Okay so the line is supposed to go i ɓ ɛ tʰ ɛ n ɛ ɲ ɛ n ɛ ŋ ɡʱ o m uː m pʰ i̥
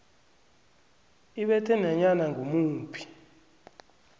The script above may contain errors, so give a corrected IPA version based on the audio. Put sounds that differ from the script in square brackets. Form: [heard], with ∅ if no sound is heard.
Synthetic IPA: i ɓ ɛ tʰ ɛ n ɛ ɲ [a] n [a] ŋ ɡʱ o m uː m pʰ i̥

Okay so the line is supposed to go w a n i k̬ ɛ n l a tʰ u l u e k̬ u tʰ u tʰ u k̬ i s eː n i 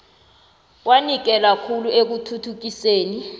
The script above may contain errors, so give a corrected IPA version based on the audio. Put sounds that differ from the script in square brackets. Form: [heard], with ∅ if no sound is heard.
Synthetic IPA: w a n i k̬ ɛ [∅] l a [kʰ] u l u e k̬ u tʰ u tʰ u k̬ i s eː n i

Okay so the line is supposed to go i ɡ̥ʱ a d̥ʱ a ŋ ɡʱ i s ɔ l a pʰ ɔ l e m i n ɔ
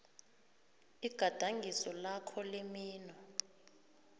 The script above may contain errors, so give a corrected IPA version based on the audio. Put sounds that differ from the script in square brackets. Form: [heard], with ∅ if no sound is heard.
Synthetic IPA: i ɡ̥ʱ a d̥ʱ a ŋ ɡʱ i s ɔ l a [kʰ] ɔ l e m [iː] n ɔ

